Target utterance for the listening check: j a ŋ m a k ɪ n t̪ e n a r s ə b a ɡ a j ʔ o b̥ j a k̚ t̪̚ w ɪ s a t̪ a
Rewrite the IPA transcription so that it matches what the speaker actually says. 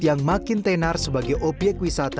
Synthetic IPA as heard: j a ŋ m a k ɪ n t̪ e n a r s ə b a ɡ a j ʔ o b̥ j ɛ k̚ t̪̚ w i s a t̪ a